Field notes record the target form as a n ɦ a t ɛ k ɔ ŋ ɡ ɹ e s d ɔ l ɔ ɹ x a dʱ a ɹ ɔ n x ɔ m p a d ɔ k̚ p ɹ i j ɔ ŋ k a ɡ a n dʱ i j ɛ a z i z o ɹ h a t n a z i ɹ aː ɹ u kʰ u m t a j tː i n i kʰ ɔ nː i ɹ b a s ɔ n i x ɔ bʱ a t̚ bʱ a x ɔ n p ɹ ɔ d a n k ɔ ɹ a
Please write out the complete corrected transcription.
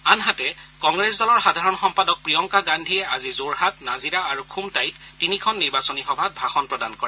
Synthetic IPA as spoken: a n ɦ a t ɛ k ɔ ŋ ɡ ɹ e s d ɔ l ɔ ɹ x a dʱ a ɹ ɔ n x ɔ m p a d ɔ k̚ p ɹ i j ɔ ŋ k a ɡ a n dʱ i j ɛ a z i z o ɹ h a t n a z i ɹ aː ɹ u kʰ u m t a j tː i n i kʰ ɔ nː i ɹ b a s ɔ n i x ɔ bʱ a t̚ bʱ a x ɔ n p ɹ ɔ d a n k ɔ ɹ ɛ